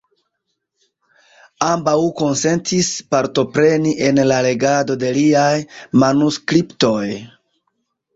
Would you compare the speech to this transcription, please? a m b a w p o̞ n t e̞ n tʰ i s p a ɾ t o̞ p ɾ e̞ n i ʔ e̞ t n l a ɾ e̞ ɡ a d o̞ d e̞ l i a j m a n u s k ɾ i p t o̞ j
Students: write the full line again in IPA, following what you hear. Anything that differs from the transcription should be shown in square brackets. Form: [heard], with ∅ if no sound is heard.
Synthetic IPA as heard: a m b a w [k] o̞ n [s] e̞ n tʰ i s p a ɾ t o̞ p ɾ e̞ n i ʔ e̞ [∅] n l a [l] e̞ ɡ a d o̞ d e̞ l i a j m a n u s k ɾ i p t o̞ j